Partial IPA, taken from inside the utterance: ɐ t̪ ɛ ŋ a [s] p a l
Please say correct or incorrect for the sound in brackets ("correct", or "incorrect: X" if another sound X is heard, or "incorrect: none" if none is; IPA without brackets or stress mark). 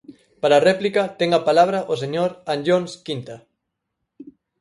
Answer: incorrect: none